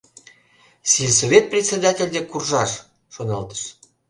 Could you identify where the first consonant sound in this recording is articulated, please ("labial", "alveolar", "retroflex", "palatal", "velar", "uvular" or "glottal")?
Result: alveolar